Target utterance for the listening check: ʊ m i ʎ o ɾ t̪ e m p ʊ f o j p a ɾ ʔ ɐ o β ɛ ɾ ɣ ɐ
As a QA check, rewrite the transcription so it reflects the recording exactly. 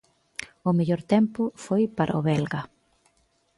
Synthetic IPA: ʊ m e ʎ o ɾ t̪ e m p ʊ f o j p a ɾ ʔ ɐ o β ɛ l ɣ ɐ